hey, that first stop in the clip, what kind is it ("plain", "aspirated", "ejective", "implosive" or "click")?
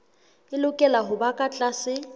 ejective